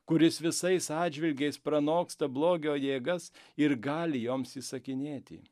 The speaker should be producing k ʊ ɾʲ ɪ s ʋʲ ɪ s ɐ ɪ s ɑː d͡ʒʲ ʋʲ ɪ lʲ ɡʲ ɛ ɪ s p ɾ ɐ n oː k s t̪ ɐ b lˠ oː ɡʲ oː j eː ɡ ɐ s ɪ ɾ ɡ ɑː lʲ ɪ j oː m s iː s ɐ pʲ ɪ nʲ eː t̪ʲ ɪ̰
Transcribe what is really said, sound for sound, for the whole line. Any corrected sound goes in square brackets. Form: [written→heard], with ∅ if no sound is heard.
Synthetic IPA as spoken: k ʊ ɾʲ ɪ s ʋʲ ɪ s ɐ ɪ s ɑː d͡ʒʲ ʋʲ ɪ lʲ ɡʲ ɛ ɪ s p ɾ ɐ n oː k s t̪ ɐ b lˠ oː ɡʲ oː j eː ɡ ɐ s ɪ ɾ ɡ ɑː lʲ ɪ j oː m s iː s ɐ [pʲ→kʲ] ɪ nʲ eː t̪ʲ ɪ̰